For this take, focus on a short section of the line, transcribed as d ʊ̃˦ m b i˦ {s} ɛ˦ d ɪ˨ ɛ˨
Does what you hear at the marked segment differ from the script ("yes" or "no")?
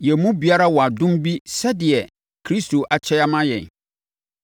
no